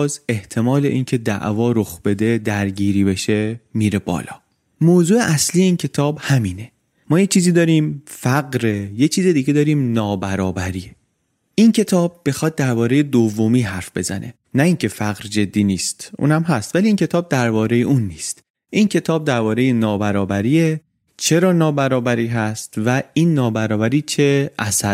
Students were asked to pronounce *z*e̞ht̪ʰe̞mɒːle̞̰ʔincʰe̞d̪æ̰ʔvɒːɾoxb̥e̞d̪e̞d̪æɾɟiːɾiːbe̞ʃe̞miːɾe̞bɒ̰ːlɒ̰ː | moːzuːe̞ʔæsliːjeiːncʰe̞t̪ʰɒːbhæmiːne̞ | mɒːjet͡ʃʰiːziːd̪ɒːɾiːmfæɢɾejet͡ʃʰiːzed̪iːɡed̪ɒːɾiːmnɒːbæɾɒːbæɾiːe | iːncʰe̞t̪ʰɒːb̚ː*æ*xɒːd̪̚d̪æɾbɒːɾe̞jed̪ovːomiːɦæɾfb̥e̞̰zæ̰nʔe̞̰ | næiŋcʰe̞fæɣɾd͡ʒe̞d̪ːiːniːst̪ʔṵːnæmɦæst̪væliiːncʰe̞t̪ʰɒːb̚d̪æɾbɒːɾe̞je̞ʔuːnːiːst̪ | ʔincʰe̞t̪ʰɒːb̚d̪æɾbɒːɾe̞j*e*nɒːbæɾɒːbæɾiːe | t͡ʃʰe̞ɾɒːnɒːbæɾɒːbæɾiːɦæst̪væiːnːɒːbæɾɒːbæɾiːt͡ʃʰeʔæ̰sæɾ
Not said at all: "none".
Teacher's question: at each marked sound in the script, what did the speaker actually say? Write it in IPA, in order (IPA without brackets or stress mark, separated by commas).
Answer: z, e, e